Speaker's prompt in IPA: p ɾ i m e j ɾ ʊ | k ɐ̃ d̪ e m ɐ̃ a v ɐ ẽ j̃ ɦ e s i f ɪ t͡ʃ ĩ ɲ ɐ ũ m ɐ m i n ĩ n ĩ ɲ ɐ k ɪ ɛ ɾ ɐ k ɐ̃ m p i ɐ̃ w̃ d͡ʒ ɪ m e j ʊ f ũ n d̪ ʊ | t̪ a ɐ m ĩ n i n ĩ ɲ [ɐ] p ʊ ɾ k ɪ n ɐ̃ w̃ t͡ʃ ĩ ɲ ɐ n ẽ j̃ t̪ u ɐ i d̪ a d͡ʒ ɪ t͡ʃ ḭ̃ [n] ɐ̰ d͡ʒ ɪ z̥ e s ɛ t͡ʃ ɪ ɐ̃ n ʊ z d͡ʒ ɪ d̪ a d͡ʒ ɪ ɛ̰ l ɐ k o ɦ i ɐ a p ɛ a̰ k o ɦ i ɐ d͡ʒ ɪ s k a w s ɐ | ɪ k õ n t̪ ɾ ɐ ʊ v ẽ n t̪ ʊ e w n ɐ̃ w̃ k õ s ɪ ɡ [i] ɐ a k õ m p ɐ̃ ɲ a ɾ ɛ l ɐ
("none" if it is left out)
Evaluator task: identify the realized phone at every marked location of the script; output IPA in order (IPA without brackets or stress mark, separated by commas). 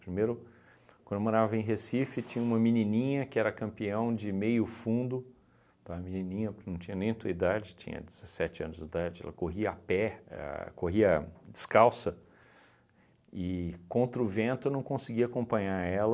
ɐ, ɲ, i